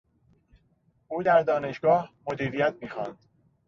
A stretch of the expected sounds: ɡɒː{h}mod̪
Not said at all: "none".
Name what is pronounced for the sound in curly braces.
h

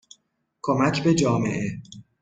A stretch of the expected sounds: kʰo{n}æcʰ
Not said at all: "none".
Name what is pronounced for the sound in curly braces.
m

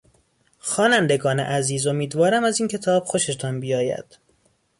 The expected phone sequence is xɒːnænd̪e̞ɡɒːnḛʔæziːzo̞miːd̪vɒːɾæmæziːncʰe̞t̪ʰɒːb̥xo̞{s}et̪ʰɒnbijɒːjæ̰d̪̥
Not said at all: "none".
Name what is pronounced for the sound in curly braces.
ʃ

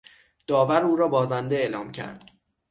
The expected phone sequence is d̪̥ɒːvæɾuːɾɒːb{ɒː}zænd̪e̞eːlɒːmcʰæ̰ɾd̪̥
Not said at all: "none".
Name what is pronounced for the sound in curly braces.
ɒː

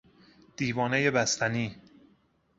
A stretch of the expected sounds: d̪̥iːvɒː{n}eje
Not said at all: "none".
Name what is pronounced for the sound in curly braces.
n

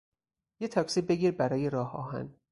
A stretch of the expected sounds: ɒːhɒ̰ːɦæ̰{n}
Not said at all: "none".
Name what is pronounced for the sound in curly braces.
n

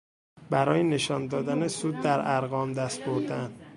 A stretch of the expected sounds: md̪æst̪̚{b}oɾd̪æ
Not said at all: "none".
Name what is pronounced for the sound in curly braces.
b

